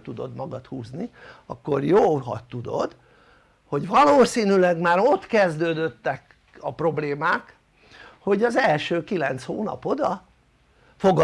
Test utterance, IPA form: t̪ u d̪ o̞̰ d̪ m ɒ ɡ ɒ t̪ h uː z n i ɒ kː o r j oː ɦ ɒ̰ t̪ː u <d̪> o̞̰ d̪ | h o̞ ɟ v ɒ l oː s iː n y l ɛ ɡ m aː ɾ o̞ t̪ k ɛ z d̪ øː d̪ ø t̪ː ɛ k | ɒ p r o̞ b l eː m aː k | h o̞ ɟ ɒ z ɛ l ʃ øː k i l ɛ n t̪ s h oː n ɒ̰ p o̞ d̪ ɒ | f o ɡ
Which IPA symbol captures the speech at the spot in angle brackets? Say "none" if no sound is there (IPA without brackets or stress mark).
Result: d̪